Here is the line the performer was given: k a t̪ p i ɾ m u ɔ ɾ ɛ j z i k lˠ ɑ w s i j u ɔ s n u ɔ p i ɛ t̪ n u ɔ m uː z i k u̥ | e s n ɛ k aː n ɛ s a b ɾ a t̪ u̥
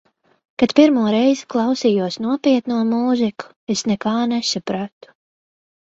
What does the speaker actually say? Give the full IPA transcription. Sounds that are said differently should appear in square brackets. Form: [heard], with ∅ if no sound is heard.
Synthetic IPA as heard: k a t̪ p i ɾ m u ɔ ɾ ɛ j z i k lˠ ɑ w s i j u ɔ s n u ɔ p i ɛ t̪ n u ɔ m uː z i k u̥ | e s n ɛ k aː n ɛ s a [p] ɾ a t̪ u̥

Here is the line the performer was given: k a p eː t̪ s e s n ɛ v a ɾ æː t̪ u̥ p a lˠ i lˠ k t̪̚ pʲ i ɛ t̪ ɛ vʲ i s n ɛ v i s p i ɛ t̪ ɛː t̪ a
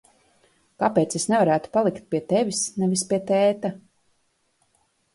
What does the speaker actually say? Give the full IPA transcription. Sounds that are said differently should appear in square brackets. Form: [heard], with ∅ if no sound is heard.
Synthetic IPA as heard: k a p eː t̪ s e s n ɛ v a ɾ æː t̪ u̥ p a lˠ i [∅] k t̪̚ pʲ i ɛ t̪ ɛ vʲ i s n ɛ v i s p i ɛ t̪ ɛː t̪ a

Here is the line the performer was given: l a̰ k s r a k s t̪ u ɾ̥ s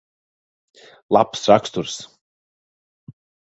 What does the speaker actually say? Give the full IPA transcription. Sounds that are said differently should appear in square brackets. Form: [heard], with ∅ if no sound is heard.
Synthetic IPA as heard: l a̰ [p] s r a k s t̪ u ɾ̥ s

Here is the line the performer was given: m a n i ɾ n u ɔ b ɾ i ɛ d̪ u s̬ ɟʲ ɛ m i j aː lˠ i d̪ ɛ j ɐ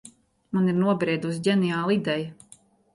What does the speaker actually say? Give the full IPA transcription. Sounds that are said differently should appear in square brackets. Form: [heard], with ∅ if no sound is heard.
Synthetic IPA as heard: m a n i ɾ n u ɔ b ɾ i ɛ d̪ u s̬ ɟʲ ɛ [n] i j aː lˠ i d̪ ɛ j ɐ

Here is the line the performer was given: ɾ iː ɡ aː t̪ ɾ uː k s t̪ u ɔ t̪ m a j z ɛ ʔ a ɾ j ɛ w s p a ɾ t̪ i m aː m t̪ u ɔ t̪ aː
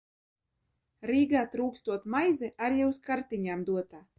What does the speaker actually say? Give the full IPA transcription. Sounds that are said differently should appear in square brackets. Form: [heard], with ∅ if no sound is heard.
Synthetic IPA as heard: ɾ iː ɡ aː t̪ ɾ uː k s t̪ u ɔ t̪ m a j z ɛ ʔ a ɾ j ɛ w s [k] a ɾ t̪ i [ɲ] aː m [d̪] u ɔ t̪ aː

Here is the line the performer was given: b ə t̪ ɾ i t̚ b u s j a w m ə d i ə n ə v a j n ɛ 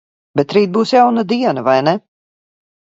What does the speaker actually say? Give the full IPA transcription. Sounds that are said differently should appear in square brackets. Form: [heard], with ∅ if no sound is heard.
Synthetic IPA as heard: b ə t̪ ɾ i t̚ b u s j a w [n] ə d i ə n ə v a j n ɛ

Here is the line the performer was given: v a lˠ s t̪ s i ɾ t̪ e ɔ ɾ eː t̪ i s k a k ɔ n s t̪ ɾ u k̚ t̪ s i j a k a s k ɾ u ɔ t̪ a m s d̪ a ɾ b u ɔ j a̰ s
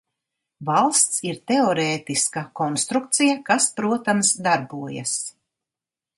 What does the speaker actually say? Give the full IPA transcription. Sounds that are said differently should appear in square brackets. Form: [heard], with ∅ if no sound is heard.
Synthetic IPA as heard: v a lˠ s t̪ s i ɾ t̪ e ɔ ɾ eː t̪ i s k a k ɔ n s t̪ ɾ u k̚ t̪ s i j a k a s [p] ɾ u ɔ t̪ a m s d̪ a ɾ b u ɔ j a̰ s

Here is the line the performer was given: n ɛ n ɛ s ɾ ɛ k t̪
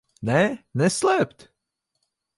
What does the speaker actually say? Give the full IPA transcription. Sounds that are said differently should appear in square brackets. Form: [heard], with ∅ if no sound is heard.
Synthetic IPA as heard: n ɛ n ɛ s [l] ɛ [p] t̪

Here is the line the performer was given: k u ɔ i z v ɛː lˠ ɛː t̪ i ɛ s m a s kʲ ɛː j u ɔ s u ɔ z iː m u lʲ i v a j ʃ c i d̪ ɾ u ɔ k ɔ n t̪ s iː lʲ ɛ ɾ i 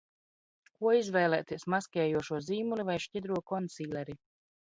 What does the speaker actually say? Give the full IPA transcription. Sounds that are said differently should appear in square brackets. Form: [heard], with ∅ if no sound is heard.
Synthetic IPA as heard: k u ɔ i z v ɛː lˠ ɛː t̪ i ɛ s m a s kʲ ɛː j u ɔ [ʃ] u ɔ z iː m u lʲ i v a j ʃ c i d̪ ɾ u ɔ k ɔ n t̪ s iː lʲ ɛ ɾ i

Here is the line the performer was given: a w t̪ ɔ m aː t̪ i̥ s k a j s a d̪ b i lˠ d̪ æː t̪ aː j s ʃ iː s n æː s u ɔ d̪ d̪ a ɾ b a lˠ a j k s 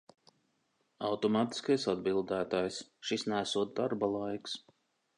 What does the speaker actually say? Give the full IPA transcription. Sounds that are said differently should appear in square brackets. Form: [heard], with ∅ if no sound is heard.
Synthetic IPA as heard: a w t̪ ɔ m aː t̪ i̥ s k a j s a d̪ b i lˠ d̪ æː t̪ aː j s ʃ [i] s n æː s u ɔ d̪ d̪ a ɾ b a lˠ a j k s

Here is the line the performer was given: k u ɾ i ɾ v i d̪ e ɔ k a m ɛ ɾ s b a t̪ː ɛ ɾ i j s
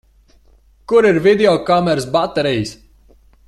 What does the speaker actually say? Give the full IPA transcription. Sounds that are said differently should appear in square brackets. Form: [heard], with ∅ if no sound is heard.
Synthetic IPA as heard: k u ɾ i ɾ v i d̪ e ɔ k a m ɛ ɾ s b a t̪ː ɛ ɾ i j s

